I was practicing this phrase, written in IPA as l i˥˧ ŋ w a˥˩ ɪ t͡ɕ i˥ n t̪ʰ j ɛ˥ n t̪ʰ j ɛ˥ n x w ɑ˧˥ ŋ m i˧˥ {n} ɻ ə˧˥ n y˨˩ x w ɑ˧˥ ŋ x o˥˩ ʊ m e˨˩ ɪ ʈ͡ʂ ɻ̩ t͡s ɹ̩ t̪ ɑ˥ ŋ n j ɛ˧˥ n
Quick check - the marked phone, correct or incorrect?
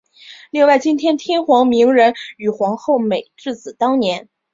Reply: incorrect